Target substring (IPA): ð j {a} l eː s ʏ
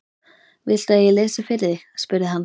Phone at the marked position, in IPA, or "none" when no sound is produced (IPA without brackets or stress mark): ɛ